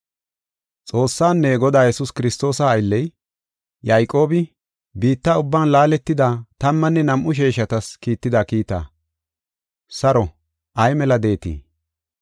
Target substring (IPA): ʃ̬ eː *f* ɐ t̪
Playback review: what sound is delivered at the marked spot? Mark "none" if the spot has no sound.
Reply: ʃ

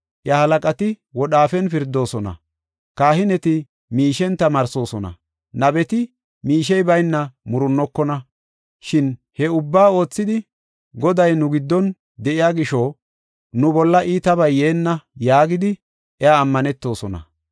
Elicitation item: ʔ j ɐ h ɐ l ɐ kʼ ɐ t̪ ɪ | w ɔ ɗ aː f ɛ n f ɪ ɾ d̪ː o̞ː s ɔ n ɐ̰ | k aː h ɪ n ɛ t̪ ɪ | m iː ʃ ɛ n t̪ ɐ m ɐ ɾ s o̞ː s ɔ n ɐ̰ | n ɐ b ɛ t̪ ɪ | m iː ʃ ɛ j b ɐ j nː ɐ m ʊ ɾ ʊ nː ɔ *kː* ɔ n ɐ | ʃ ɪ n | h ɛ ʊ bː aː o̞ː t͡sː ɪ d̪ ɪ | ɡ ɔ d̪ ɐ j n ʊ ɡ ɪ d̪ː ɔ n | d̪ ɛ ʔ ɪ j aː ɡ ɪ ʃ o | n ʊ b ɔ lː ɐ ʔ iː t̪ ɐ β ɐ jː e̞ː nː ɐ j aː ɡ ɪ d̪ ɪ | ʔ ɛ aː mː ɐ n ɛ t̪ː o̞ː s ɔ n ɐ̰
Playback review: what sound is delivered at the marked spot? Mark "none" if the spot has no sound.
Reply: kː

